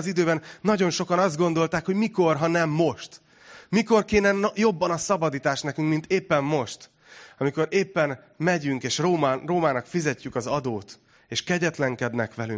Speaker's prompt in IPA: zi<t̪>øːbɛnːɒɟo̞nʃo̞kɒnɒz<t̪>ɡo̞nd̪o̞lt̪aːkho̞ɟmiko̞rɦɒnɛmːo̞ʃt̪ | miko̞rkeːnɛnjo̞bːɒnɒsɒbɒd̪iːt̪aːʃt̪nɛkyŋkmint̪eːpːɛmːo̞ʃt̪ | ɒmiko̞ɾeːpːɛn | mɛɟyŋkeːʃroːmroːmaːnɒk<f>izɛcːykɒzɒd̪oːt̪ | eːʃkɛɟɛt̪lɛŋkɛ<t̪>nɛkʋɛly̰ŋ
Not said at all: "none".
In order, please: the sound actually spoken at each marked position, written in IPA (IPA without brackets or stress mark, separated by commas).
d̪, d̪, f, d̪